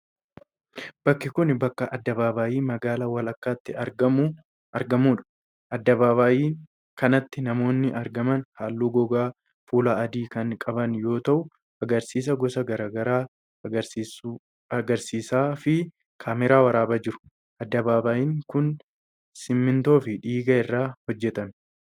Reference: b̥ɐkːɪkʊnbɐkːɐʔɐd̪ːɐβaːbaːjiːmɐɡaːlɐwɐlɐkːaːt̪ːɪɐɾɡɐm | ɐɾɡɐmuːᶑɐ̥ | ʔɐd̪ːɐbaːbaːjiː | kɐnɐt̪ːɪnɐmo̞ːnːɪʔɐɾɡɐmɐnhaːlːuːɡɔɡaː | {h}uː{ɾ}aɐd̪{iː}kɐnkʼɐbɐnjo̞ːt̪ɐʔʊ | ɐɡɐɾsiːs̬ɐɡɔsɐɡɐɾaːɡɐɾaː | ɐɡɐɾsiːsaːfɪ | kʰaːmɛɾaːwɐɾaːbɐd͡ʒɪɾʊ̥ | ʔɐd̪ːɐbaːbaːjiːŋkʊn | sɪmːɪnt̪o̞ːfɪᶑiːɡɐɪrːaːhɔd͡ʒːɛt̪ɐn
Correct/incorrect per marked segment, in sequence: incorrect: f, incorrect: l, correct

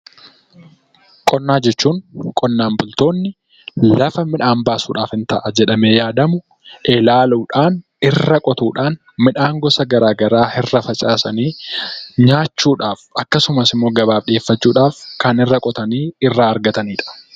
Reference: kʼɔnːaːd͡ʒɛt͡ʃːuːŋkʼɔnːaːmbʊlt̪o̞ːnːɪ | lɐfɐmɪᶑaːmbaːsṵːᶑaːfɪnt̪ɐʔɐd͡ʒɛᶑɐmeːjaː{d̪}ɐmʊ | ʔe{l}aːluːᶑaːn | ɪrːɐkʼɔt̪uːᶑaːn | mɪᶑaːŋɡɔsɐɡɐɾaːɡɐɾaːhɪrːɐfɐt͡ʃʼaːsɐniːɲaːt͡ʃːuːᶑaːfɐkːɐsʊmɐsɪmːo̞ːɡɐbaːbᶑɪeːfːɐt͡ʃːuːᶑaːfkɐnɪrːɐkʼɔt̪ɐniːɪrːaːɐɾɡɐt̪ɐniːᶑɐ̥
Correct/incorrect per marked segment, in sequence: correct, correct

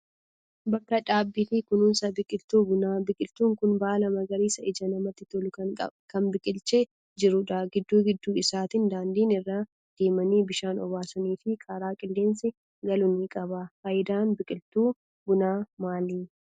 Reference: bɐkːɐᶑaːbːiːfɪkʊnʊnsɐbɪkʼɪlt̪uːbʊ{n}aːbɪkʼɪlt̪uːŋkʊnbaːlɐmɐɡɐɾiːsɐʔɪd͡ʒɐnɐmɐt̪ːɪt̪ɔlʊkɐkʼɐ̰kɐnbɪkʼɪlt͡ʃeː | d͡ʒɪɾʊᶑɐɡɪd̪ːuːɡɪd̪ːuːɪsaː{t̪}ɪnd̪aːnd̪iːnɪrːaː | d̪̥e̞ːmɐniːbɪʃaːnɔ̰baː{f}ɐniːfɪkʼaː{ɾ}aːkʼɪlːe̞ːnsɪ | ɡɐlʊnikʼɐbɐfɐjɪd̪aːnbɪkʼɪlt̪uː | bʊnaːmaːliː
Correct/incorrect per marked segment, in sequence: correct, correct, incorrect: s, correct

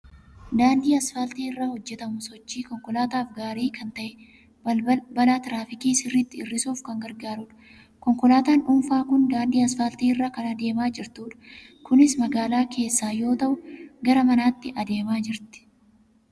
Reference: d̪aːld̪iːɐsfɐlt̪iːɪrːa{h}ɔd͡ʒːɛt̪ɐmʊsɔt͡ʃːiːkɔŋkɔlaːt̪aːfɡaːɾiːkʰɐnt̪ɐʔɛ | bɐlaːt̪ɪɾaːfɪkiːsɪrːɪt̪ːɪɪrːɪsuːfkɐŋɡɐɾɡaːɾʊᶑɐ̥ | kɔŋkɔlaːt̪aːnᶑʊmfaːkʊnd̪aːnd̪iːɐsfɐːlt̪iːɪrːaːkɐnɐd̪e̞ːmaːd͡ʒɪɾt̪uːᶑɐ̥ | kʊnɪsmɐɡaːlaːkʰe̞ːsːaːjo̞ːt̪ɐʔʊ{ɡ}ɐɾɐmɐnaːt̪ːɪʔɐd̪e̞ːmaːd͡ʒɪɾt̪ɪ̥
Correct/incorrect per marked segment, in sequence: correct, correct

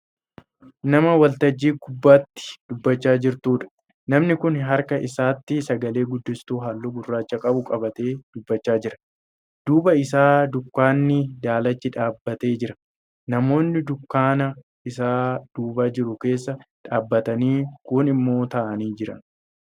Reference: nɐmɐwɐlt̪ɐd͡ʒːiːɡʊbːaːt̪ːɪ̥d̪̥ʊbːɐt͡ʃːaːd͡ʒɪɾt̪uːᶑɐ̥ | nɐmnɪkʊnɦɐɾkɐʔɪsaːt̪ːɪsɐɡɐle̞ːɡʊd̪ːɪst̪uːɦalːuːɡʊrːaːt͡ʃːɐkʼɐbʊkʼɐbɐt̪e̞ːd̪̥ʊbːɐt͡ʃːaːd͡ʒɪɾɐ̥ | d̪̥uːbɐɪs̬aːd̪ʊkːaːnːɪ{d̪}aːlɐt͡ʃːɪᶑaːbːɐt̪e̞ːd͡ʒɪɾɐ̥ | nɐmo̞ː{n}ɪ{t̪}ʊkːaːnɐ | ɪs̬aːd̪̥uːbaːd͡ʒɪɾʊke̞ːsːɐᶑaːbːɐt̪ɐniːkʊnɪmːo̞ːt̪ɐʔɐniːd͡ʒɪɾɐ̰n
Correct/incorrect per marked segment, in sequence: correct, incorrect: nː, incorrect: d̪

